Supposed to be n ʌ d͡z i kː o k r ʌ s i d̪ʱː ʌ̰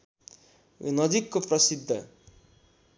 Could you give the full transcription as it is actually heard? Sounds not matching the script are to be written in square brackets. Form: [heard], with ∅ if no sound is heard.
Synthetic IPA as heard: n ʌ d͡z i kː o [p] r ʌ s i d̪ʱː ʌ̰

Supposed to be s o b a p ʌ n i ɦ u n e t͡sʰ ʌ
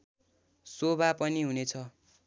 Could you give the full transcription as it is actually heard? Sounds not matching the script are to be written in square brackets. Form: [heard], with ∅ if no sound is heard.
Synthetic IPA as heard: s o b a p ʌ n i ɦ u n e t͡sʰ ʌ

